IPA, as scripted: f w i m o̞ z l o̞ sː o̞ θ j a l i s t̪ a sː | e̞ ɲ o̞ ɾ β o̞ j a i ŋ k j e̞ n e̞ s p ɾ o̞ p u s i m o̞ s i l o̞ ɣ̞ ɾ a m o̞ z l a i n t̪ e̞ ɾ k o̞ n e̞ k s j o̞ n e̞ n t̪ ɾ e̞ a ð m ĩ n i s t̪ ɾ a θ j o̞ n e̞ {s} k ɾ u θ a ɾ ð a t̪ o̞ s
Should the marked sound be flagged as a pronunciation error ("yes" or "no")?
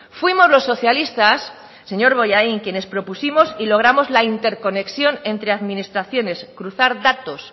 no